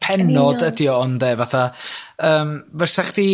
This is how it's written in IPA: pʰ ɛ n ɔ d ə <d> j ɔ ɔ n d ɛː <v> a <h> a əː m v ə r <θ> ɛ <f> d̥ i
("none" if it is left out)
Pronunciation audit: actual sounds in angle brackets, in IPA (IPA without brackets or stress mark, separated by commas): d, v, θ, s, χ